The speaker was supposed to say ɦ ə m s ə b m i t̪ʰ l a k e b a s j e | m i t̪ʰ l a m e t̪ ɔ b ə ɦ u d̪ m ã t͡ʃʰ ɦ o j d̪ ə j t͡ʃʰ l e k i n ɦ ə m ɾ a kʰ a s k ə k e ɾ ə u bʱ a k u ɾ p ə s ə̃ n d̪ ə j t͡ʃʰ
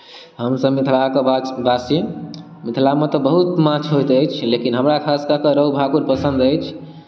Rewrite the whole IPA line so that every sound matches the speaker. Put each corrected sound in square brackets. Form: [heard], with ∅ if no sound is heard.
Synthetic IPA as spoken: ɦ ə m s ə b m i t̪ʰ l a k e b a s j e | m i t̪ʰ l a m e t̪ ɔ b ə ɦ u [t̪] m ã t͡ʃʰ ɦ o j [t̪] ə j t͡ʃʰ l e k i n ɦ ə m ɾ a kʰ a s k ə k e ɾ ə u bʱ a k u ɾ p ə s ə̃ n d̪ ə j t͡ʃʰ